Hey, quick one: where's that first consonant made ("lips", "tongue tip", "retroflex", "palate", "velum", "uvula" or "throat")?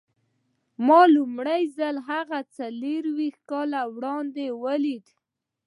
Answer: lips